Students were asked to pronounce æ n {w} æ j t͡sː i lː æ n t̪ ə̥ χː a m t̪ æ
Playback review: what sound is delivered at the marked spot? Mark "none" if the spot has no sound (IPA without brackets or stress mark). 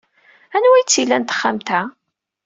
w